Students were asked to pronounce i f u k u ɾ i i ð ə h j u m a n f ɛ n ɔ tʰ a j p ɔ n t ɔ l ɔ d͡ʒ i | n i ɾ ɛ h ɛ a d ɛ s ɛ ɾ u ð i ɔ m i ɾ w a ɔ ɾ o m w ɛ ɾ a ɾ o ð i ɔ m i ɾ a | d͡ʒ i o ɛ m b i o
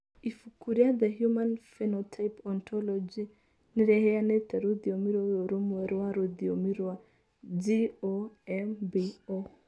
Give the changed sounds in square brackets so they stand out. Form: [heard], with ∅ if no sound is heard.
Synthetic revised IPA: i f u k u ɾ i [a] ð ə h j u m a n f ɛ n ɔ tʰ a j p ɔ n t ɔ l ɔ d͡ʒ i | n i ɾ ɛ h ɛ a [n] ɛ [t] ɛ ɾ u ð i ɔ m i ɾ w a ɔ ɾ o m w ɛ ɾ a ɾ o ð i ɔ m i ɾ a | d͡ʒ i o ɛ m b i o